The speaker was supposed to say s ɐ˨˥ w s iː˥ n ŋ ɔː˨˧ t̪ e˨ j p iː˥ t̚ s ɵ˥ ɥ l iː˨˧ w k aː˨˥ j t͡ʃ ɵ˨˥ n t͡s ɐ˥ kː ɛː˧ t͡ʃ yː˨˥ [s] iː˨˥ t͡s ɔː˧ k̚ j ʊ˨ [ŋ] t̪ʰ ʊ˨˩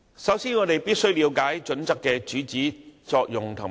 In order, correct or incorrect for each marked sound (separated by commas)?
incorrect, correct